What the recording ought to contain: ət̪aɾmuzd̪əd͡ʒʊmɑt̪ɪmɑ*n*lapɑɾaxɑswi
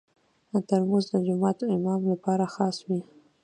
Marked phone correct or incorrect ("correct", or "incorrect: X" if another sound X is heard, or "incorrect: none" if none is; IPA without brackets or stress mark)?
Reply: incorrect: m